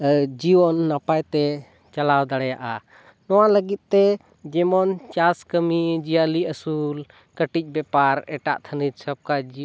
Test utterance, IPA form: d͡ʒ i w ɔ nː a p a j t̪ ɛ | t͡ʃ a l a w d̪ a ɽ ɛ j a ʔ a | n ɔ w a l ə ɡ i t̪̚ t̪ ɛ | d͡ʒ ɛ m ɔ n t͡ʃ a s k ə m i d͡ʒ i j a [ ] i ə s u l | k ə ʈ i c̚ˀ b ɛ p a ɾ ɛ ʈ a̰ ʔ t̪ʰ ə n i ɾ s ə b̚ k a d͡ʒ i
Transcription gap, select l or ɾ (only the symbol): l